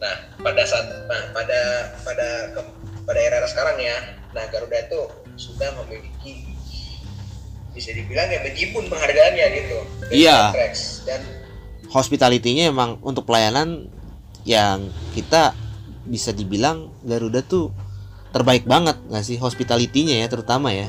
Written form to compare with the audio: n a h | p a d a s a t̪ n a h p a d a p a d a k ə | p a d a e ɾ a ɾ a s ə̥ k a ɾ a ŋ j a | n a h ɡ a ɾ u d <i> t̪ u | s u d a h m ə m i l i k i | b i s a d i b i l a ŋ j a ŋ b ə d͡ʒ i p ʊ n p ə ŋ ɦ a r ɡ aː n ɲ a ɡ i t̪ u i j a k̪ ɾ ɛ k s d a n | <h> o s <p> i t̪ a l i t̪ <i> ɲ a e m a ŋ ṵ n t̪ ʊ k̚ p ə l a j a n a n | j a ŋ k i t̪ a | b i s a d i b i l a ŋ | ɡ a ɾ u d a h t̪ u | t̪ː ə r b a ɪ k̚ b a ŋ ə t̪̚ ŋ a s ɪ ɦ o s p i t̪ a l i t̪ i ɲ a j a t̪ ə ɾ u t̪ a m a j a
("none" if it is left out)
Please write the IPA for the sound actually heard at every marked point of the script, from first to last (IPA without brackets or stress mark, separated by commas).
a, h, p, i